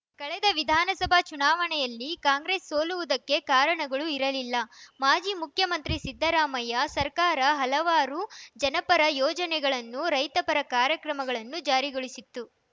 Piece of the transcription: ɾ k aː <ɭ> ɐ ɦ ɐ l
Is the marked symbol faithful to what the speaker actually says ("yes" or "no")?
no